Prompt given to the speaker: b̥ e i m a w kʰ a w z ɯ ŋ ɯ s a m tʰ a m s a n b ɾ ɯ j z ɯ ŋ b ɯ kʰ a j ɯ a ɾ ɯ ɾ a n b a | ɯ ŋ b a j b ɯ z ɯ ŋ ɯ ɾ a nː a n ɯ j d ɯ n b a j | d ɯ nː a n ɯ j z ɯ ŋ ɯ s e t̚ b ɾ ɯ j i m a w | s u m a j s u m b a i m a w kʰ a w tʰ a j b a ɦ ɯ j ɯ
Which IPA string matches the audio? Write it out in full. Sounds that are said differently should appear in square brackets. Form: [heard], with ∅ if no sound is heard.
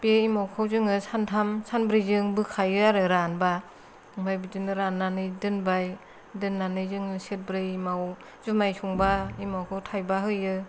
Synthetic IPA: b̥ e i m a w kʰ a w z ɯ ŋ ɯ s a [n] tʰ a m s a n b ɾ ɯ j z ɯ ŋ b ɯ kʰ a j ɯ a ɾ ɯ ɾ a n b a | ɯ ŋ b a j b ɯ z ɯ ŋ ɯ ɾ a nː a n ɯ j d ɯ n b a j | d ɯ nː a n ɯ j z ɯ ŋ ɯ s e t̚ b ɾ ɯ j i m a w | [z] u m a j s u [ŋ] b a i m a w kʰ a w tʰ a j b a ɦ ɯ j ɯ